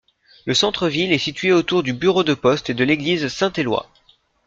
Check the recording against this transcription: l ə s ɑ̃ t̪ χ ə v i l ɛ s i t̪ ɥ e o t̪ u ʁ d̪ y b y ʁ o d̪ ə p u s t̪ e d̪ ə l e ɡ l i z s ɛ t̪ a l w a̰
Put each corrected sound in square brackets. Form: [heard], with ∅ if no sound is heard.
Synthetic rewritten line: l ə s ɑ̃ t̪ χ ə v i l ɛ s i t̪ ɥ e o t̪ u ʁ d̪ y b y ʁ o d̪ ə p [ɔ] s t̪ e d̪ ə l e ɡ l i z s [ɛ̃] t̪ [e] l w a̰